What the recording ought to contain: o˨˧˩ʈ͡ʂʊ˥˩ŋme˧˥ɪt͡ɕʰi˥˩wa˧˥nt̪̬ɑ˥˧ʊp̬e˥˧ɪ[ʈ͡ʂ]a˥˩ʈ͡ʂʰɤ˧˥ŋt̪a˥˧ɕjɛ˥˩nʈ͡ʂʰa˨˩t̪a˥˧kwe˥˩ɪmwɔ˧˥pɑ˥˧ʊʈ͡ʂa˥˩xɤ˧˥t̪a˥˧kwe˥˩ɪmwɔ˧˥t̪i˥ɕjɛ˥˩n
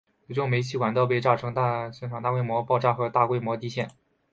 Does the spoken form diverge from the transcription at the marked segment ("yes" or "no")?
no